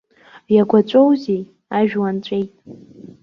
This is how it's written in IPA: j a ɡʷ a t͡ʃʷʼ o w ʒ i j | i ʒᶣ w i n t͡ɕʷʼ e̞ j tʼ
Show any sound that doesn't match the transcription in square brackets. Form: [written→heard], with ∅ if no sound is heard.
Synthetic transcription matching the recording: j a ɡʷ a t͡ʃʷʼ o w [ʒ→z] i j | [i→a] ʒᶣ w [i→a] n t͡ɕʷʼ e̞ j tʼ